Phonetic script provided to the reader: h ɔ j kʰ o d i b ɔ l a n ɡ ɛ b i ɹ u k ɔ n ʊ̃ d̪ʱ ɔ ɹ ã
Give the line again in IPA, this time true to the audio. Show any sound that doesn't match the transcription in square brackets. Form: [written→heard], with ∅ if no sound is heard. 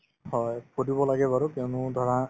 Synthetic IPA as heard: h ɔ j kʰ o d i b ɔ l a [n→∅] ɡ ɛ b [i→a] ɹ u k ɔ n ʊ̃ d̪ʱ ɔ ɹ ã